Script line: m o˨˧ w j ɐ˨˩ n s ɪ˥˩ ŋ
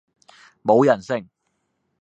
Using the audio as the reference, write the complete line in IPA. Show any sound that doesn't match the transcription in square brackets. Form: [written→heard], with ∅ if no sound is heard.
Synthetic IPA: m o˨˧ w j ɐ˨˩ n s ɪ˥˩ ŋ